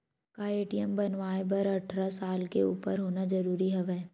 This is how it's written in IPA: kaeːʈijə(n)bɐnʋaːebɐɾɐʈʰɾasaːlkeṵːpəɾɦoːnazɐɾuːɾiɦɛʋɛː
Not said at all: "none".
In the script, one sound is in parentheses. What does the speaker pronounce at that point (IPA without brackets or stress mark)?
m